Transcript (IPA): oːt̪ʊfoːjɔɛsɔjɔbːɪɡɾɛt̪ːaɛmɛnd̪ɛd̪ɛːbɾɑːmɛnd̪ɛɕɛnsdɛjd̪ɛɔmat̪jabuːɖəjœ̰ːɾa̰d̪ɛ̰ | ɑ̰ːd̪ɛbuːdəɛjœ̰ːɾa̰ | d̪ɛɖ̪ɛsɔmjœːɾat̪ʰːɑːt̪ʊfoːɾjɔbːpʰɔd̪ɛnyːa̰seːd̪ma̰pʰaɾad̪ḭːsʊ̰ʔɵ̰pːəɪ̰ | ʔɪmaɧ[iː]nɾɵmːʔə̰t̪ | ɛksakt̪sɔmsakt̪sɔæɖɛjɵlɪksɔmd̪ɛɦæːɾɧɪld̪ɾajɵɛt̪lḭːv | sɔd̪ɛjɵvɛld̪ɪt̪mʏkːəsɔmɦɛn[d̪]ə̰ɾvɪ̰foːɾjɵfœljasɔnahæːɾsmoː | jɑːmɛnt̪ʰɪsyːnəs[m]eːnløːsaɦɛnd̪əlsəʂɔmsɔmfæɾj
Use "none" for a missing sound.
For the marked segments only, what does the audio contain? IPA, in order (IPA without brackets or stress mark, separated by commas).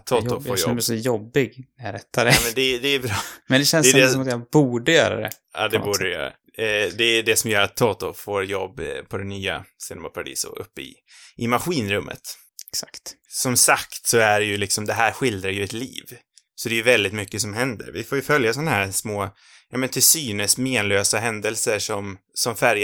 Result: iː, d̪, m